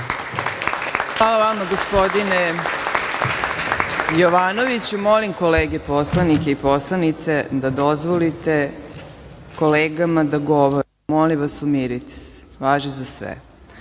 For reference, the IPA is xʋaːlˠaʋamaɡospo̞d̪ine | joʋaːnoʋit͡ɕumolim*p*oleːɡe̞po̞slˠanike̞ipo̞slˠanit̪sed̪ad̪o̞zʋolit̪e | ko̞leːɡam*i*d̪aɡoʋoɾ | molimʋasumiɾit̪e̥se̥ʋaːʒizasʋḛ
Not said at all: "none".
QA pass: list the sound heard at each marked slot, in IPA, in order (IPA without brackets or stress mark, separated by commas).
k, a